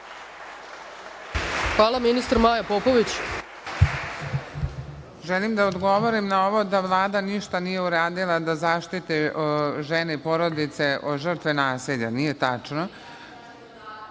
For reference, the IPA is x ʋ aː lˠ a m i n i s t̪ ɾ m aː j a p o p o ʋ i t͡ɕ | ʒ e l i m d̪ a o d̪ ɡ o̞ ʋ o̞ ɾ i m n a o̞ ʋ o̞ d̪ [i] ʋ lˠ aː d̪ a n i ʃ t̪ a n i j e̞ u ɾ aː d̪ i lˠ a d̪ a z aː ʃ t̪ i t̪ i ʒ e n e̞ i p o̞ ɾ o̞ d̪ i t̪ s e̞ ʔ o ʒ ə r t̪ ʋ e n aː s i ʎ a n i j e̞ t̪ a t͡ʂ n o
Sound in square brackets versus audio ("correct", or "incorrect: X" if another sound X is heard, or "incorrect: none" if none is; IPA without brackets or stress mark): incorrect: a